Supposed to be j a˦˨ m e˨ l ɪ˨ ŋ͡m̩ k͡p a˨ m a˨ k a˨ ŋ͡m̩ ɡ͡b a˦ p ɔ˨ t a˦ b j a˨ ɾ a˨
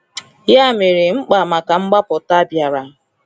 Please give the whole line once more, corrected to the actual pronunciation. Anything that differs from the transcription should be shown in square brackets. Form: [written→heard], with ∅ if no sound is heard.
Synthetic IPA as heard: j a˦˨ m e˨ [l→ɾ] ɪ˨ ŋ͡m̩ k͡p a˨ m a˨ k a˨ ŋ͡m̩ ɡ͡b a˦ p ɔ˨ t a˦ b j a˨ ɾ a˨